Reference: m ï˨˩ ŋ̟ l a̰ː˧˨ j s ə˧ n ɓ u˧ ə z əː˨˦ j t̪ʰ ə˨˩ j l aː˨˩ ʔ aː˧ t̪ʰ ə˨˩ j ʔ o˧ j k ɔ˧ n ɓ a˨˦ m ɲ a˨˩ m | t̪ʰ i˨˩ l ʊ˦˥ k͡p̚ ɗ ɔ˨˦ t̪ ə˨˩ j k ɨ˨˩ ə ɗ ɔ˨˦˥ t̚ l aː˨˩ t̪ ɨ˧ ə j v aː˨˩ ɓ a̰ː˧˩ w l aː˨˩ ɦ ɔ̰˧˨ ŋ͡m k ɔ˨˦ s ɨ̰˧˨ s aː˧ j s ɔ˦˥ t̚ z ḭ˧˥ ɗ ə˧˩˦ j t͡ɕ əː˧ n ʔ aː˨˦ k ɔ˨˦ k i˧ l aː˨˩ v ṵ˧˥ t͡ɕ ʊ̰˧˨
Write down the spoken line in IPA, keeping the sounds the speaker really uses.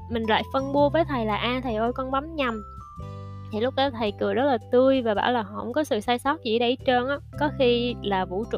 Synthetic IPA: m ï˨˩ ŋ̟ l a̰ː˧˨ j f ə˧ n ɓ u˧ ə v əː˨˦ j t̪ʰ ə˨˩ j l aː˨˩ ʔ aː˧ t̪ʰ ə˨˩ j ʔ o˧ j k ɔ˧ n ɓ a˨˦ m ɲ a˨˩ m | t̪ʰ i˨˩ l ʊ˦˥ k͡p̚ ɗ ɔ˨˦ t̪ʰ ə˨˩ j k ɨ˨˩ ə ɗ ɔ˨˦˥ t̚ l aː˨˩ t̪ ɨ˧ ə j v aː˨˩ ɓ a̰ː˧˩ w l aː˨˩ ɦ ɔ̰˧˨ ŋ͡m k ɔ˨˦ s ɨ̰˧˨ s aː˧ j s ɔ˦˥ t̚ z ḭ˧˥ ɗ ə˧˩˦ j t͡ɕ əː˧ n ʔ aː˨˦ k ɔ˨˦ x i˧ l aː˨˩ v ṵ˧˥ t͡ɕ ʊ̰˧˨